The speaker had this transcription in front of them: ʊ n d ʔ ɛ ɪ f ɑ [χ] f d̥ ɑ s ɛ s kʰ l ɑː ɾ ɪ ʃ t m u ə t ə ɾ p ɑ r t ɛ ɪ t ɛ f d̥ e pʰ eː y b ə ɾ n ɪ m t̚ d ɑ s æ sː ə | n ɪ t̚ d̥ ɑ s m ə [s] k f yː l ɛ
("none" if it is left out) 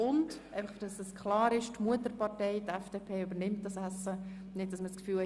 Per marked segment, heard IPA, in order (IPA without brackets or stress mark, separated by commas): χ, s